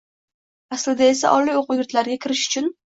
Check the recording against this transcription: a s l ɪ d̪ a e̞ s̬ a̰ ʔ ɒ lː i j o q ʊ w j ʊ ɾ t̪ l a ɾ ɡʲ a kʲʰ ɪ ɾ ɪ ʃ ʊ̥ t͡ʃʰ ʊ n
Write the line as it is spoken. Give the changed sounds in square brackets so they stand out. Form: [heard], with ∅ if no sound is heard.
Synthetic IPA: a s l ɪ d̪ a e̞ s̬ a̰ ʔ ɒ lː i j o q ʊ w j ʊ ɾ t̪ l a ɾ ɡʲ a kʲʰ ɪ ɾ ɪ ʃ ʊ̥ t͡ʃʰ ʊ n